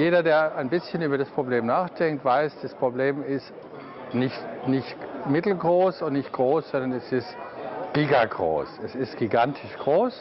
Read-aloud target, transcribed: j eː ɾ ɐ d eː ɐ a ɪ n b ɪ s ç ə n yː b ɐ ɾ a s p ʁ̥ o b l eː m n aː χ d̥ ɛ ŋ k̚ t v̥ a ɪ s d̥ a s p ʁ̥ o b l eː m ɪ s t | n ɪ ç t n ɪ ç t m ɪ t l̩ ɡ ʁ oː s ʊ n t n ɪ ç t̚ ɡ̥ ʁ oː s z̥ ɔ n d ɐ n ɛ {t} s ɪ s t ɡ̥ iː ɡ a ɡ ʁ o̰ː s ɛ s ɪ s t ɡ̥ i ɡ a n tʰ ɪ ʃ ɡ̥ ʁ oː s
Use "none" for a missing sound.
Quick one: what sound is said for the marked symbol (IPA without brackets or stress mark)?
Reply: none